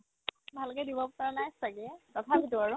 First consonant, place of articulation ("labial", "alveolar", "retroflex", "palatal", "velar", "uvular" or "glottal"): labial